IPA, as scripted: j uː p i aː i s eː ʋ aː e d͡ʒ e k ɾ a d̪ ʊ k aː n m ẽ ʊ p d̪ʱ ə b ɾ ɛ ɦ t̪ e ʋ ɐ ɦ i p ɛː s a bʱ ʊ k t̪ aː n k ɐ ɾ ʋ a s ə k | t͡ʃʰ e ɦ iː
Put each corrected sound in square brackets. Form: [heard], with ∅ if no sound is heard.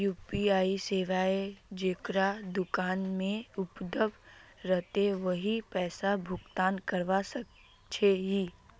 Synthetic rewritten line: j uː p i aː i s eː ʋ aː e d͡ʒ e k ɾ a d̪ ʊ k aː n m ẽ ʊ p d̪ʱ ə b ɾ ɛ ɦ t̪ e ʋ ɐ ɦ i p ɛː s a bʱ ʊ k t̪ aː n k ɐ ɾ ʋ a s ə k | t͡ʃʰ e ɦ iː